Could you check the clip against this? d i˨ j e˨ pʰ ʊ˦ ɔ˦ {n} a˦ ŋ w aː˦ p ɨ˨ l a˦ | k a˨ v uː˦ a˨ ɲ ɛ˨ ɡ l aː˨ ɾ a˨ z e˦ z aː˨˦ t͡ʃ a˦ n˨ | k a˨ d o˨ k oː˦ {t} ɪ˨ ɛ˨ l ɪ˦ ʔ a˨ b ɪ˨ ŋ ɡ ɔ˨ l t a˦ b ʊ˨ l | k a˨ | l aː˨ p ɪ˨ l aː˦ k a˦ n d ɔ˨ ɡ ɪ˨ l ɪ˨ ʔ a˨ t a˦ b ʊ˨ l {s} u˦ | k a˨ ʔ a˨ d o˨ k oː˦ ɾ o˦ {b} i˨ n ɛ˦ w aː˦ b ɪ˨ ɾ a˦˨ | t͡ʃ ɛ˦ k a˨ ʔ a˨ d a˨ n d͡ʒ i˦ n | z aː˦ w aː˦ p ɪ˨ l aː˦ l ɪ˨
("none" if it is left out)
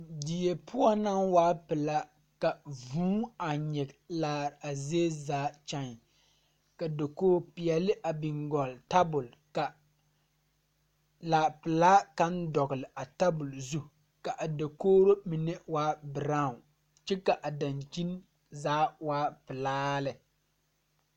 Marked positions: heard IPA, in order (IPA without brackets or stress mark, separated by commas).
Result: n, p, z, m